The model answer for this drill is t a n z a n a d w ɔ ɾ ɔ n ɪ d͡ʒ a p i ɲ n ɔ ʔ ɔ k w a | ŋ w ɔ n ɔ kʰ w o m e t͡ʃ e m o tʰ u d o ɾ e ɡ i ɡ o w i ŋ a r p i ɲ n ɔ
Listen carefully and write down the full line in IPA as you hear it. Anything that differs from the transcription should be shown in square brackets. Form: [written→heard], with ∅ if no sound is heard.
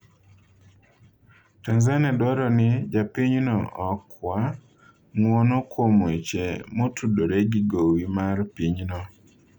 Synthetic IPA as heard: t a n z a n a d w ɔ ɾ ɔ n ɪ d͡ʒ a p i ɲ n ɔ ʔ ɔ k w a | ŋ w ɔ n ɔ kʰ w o m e t͡ʃ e m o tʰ u d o ɾ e ɡ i ɡ o w i [ŋ→m] a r p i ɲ n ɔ